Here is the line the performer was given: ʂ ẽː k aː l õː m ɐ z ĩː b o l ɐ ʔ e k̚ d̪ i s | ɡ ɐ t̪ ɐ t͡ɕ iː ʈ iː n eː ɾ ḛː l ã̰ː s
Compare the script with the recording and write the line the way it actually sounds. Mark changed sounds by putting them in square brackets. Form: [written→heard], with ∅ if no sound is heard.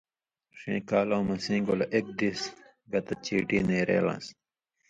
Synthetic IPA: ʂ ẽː k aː l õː m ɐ [z→s] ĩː [b→ɡ] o l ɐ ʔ e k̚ d̪ i s | ɡ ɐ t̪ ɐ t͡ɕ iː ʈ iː n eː ɾ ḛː l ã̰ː s